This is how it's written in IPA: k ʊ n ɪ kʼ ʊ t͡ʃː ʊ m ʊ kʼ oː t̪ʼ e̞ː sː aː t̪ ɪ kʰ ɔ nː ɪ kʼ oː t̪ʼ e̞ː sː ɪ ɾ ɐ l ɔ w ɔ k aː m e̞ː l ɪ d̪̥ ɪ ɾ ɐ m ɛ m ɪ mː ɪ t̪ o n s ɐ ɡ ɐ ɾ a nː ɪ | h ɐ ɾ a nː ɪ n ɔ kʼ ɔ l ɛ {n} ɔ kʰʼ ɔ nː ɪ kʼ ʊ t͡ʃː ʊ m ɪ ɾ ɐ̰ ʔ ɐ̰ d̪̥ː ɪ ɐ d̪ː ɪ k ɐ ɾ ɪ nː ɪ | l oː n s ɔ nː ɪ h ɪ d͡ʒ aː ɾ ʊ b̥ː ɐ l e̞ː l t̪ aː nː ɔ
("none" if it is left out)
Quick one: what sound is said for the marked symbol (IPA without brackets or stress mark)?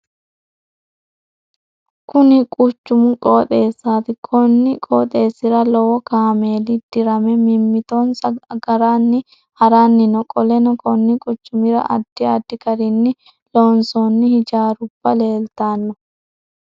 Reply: n